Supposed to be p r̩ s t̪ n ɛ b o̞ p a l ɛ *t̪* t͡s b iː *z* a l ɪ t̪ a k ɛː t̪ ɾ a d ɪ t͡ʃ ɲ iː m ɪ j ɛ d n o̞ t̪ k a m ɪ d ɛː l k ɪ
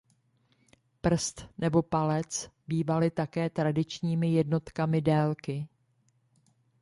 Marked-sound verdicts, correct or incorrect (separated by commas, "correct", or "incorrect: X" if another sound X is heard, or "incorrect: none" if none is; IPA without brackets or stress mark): incorrect: none, incorrect: v